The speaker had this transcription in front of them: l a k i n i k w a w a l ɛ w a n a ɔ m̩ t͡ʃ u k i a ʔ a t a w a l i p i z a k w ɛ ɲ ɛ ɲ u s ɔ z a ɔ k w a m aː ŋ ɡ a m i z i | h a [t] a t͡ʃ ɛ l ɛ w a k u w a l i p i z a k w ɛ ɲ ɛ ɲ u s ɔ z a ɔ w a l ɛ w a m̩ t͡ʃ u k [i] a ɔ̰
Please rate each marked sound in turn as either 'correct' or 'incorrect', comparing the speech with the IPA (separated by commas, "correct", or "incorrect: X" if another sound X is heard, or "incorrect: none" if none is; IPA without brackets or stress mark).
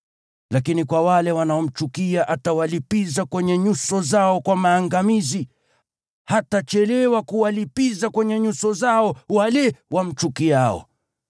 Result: correct, correct